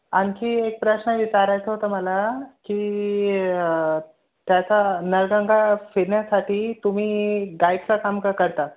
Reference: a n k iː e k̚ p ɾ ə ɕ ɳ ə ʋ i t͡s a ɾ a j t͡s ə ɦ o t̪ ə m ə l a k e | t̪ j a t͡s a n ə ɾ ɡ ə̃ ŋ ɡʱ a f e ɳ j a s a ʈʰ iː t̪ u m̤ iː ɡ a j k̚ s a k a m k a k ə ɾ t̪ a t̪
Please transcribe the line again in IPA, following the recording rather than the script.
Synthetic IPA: a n k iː e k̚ p ɾ ə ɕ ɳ ə ʋ i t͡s a ɾ a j t͡s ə ɦ o t̪ ə m ə l a k i | t̪ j a t͡s a n ə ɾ ɡ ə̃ ŋ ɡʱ a f e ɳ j a s a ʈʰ iː t̪ u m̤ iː ɡ a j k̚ t͡s a k a m k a k ə ɾ t̪ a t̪